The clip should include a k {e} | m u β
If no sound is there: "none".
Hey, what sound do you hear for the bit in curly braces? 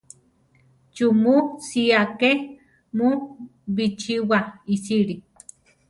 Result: e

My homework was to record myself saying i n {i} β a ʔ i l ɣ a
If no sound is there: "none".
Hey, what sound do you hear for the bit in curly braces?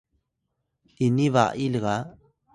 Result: i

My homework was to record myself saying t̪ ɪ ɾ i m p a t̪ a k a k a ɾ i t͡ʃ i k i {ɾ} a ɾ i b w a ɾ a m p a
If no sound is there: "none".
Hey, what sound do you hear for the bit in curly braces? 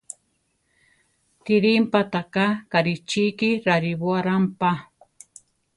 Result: ɾ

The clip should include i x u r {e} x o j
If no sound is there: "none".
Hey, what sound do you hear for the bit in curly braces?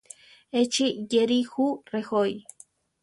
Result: e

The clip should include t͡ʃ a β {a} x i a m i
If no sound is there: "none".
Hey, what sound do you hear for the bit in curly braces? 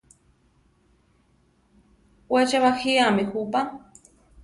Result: a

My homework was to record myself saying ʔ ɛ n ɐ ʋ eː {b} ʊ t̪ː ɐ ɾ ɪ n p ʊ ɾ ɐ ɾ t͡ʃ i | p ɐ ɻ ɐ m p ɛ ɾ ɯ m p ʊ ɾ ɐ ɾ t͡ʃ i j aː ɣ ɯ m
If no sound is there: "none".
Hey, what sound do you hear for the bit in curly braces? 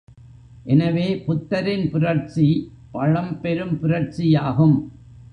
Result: p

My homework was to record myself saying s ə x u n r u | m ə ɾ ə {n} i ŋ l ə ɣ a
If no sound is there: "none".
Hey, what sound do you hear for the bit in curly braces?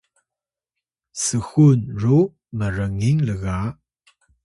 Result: ŋ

